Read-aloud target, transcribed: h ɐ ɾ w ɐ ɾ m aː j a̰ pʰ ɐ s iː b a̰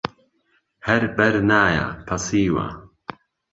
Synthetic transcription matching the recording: h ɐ ɾ b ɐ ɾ n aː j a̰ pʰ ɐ s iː w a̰

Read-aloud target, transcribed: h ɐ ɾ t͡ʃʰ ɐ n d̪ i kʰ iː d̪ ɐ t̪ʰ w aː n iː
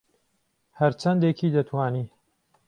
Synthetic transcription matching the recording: h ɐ ɾ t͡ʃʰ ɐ n d̪ e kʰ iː d̪ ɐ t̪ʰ w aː n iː

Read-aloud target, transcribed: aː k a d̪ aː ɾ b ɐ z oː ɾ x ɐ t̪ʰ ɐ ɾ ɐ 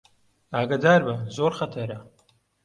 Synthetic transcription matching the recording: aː ɡ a d̪ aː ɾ b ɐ z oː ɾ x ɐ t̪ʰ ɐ ɾ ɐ

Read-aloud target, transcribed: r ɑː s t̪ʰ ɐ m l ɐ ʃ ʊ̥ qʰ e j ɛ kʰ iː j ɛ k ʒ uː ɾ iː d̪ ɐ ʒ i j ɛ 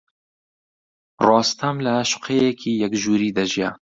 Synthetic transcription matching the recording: r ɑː s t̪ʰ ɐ m l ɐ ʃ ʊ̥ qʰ e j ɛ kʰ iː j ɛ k ʒ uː ɾ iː d̪ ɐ ʒ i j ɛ

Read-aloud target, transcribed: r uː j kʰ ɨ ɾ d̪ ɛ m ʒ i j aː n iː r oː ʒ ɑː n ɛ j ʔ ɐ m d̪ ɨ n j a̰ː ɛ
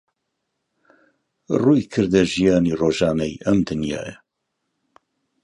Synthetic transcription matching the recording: r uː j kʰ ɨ ɾ d̪ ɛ ʒ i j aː n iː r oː ʒ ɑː n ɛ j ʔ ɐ m d̪ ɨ n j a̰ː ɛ

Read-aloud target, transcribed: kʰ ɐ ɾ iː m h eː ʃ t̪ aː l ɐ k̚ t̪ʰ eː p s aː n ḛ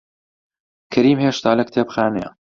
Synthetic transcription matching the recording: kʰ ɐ ɾ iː m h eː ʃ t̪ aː l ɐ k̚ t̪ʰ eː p x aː n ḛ

